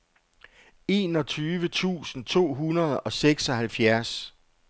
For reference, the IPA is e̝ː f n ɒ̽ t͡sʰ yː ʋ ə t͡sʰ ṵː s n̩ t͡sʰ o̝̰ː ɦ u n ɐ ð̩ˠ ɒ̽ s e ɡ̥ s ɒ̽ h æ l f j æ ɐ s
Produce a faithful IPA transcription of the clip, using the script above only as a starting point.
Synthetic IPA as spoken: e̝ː n ɒ̽ t͡sʰ yː ʋ ə t͡sʰ ṵː s n̩ t͡sʰ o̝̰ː ɦ u n ɐ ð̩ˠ ɒ̽ s e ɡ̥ s ɒ̽ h æ l f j æ ɐ s